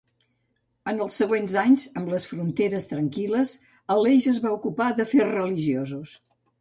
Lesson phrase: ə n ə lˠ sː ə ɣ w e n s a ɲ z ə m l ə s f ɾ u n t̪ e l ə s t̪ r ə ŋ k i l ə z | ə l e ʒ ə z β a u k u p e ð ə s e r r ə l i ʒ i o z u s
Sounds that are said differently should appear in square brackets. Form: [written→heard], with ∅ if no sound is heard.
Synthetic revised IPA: ə n ə lˠ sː ə ɣ w e n [s→z] a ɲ z ə m l ə s f ɾ u n t̪ e [l→ɾ] ə s t̪ [r→ɾ] ə ŋ k i l ə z | ə l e ʒ ə z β a u k u p [e→a] ð ə [s→f] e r r ə l i ʒ i o z u s